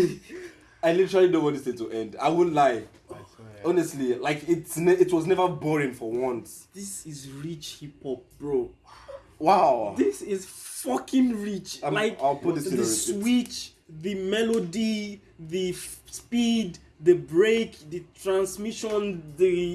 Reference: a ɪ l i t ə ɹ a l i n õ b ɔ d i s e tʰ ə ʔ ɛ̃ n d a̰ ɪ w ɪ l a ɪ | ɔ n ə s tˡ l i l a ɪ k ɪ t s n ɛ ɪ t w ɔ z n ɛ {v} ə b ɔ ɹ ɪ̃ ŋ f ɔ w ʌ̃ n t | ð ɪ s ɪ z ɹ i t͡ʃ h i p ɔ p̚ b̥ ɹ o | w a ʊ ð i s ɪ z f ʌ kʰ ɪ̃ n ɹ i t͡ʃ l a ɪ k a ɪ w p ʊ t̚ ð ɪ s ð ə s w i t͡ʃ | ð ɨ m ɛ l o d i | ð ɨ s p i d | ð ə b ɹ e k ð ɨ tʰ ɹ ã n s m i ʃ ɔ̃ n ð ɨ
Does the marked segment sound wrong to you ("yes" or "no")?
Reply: no